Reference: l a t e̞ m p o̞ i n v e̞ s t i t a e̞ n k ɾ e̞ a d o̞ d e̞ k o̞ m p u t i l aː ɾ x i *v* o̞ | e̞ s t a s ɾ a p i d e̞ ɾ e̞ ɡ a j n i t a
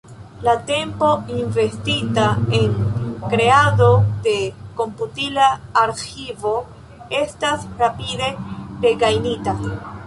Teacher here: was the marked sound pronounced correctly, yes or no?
yes